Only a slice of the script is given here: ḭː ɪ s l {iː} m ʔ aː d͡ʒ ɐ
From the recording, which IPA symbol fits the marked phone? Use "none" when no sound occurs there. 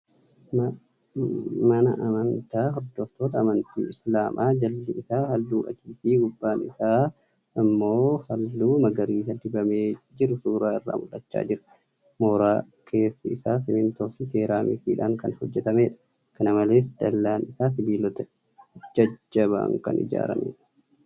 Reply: aː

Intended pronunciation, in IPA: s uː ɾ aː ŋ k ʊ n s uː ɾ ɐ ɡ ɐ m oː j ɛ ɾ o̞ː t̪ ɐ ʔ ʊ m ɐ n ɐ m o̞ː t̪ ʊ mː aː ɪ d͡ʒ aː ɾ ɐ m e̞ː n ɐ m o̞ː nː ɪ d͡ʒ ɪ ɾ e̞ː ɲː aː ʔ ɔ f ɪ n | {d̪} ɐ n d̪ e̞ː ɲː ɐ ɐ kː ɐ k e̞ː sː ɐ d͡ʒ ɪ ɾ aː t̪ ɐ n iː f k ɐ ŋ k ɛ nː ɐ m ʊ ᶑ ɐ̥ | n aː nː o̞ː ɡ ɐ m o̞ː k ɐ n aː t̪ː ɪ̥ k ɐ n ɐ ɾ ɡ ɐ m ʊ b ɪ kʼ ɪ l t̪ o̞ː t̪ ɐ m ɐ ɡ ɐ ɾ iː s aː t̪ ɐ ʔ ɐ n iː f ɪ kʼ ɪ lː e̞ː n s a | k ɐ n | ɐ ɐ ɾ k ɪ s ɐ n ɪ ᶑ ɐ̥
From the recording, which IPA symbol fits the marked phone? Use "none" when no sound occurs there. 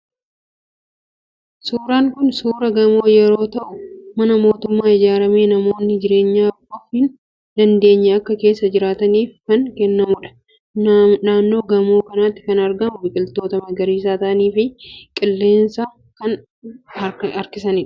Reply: d̪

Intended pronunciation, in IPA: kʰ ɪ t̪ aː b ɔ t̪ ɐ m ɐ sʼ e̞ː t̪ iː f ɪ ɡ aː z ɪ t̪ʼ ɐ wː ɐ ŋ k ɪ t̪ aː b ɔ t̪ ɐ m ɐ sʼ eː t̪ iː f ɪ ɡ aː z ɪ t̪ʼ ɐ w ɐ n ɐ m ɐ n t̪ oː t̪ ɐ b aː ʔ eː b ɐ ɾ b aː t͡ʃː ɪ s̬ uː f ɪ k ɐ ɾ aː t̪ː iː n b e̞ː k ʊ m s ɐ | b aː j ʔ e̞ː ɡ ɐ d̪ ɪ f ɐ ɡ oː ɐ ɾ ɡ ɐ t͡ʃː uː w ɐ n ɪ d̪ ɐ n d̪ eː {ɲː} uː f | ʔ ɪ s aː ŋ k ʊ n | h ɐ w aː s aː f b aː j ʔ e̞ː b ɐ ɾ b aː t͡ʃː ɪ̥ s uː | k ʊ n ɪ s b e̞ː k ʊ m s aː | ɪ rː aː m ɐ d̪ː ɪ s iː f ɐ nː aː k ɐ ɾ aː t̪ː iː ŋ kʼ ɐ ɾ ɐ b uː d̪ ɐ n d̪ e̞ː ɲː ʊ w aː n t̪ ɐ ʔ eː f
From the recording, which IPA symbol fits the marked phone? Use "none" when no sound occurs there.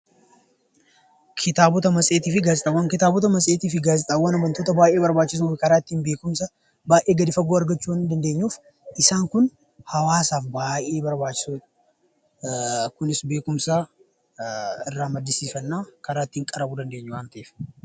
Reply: ɲː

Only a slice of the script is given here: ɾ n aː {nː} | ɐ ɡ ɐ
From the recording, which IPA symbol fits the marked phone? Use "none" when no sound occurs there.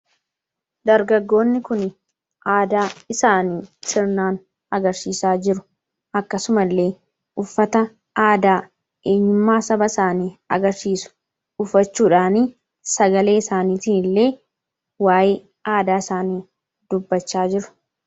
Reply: n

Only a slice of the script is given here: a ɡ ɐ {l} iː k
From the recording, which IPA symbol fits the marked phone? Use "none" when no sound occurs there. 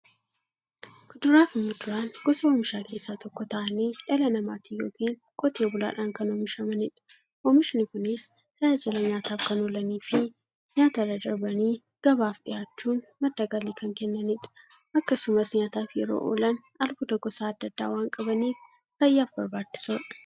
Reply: l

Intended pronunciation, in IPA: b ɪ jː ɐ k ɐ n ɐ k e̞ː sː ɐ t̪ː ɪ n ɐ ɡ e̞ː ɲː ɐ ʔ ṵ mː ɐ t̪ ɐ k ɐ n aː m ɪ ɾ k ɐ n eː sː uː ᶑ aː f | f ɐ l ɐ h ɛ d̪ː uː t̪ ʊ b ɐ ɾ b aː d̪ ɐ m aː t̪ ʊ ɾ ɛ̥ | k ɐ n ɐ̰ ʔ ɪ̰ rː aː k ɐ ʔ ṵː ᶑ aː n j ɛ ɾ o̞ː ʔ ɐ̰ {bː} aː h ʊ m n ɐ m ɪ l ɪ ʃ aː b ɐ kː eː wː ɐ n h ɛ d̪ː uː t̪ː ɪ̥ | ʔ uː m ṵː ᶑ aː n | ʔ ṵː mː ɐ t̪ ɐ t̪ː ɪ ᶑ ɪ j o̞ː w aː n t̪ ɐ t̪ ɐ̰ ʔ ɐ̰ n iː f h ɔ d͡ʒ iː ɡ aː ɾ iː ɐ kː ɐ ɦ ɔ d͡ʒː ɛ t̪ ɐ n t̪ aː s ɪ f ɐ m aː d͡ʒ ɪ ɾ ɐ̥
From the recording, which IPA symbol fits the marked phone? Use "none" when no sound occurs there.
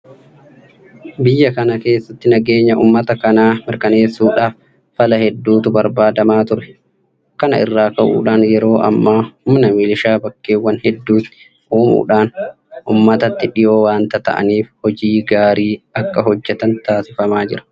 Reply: mː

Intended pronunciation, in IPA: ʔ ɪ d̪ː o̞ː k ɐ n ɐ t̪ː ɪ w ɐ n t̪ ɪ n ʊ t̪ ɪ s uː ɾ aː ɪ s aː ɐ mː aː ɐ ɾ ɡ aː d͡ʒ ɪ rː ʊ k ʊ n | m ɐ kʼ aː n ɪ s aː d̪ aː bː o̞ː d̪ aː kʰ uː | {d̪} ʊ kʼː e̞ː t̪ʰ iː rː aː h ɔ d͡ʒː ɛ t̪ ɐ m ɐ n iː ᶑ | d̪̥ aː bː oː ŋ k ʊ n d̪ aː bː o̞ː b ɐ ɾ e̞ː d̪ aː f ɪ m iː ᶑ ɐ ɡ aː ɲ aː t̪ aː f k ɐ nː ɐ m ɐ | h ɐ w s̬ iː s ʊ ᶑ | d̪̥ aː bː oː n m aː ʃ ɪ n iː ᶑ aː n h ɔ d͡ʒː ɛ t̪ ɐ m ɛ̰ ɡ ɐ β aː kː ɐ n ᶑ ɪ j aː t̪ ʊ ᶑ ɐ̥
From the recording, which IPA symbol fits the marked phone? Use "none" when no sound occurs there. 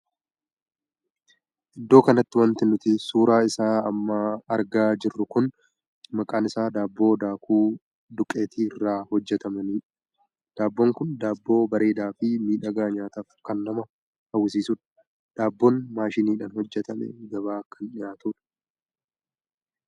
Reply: d̪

